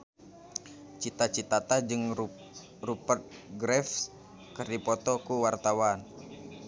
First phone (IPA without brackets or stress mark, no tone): t͡ʃ